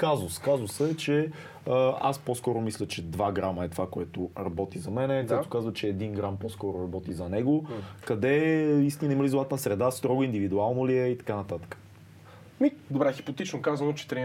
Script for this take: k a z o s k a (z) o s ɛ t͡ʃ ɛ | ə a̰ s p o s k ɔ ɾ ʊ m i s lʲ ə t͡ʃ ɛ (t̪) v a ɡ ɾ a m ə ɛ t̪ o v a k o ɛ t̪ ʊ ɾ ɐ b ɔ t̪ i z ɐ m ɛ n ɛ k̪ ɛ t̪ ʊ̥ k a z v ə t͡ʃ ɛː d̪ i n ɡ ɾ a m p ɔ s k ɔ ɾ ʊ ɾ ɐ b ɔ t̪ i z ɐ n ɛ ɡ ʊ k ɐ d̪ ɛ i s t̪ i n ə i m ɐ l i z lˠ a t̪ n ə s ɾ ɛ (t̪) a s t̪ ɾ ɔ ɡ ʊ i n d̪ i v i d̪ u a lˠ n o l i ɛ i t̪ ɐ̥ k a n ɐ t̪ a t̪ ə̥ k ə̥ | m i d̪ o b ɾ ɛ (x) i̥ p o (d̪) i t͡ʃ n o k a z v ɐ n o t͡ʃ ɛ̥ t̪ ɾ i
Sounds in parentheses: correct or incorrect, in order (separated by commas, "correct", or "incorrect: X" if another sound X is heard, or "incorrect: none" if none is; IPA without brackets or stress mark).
correct, incorrect: d̪, incorrect: d̪, correct, incorrect: t̪